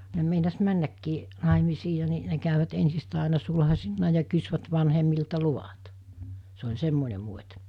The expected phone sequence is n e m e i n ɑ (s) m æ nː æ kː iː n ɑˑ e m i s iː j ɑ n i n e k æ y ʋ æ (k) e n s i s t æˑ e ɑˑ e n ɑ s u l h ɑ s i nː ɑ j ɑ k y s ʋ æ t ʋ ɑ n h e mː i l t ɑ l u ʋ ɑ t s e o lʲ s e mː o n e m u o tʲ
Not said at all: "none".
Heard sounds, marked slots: s, t

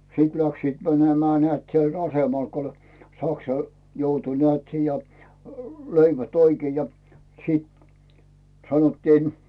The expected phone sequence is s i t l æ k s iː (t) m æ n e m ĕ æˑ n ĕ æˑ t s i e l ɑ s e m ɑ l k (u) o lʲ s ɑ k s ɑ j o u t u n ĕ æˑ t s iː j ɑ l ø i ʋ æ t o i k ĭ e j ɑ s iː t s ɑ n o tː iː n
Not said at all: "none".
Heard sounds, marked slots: t, o

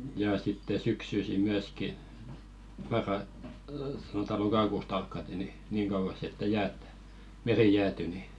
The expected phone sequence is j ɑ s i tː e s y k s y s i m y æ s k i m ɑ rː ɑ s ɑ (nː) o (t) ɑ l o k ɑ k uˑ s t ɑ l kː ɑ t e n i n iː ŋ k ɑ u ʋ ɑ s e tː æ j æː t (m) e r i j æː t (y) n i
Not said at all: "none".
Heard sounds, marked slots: n, t, m, y

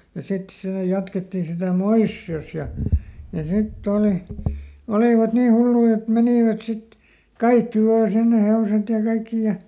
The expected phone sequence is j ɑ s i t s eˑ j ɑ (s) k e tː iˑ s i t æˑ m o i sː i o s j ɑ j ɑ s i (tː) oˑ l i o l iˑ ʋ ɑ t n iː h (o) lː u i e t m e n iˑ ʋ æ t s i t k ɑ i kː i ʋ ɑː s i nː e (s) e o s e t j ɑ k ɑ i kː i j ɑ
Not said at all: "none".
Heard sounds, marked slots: t, tː, u, h

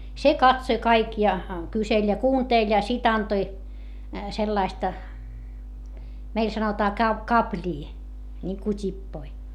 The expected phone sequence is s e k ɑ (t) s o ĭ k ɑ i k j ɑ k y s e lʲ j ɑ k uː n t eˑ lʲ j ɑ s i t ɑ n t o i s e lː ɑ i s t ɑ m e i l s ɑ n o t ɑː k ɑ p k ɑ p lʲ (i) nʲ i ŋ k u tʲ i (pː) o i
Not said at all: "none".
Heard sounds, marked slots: t, iː, pː

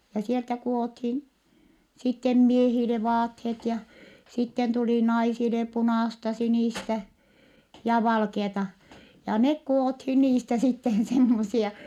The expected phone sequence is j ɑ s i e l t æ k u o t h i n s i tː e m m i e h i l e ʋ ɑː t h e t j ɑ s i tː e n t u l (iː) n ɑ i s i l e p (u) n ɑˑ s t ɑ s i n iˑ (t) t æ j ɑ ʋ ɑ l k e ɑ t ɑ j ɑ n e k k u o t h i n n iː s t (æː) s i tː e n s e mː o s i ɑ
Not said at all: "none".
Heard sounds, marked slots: i, u, s, æ

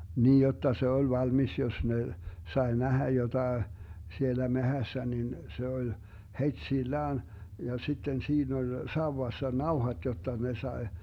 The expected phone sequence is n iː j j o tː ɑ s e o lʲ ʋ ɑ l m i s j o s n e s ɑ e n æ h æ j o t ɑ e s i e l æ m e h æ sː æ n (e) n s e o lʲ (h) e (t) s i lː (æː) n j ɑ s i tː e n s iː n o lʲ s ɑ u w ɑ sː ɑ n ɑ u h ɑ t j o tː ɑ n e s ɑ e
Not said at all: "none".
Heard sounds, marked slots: i, h, t, æː

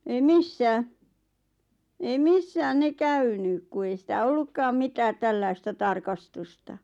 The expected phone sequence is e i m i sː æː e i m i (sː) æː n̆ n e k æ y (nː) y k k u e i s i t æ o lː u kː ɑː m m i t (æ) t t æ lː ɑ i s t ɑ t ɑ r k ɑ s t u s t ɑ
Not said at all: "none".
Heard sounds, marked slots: sː, n, æː

